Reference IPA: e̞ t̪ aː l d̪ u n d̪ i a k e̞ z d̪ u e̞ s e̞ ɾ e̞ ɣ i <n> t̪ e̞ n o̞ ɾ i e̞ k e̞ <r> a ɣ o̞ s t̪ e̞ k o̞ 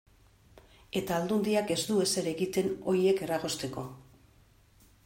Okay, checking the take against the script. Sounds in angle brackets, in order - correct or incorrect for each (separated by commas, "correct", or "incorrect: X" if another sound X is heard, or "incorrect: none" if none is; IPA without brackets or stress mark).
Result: incorrect: none, correct